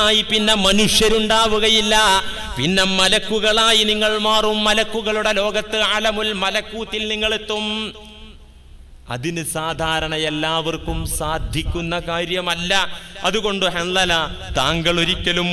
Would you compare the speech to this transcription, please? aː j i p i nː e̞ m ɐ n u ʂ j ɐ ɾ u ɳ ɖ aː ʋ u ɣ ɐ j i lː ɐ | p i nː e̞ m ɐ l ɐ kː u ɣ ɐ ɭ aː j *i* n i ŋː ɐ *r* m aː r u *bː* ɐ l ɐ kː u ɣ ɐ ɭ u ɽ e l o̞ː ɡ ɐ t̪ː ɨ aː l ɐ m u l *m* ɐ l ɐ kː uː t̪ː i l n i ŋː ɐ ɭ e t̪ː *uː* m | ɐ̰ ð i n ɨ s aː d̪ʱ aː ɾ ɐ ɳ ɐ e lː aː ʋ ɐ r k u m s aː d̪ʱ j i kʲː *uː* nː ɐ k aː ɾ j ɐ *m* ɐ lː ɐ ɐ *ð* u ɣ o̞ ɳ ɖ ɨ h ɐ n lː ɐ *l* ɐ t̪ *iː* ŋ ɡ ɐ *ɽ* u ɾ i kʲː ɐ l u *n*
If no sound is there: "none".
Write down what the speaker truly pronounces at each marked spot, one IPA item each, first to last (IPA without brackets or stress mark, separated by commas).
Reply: i, ɭ, mː, m, u, u, m, ð, l, aː, ɭ, m